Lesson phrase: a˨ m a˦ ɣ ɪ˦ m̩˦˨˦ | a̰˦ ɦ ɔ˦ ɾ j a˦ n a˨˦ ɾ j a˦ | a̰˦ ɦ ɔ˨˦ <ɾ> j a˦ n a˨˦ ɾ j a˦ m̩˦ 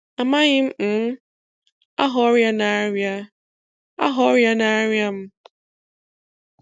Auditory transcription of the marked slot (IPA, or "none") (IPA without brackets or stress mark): ɾ